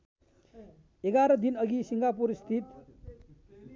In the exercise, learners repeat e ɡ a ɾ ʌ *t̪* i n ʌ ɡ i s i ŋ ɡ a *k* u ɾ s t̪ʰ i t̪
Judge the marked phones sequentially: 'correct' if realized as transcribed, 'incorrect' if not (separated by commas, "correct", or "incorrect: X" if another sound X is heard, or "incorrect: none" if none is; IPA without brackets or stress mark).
incorrect: d̪, incorrect: p